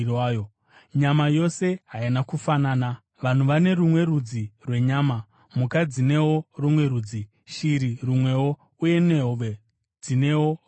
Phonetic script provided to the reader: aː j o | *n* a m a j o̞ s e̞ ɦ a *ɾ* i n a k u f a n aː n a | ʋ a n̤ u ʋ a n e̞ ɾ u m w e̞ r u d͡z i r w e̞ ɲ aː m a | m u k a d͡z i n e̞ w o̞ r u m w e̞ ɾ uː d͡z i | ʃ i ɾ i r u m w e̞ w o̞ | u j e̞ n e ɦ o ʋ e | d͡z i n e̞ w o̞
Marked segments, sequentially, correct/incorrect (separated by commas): incorrect, incorrect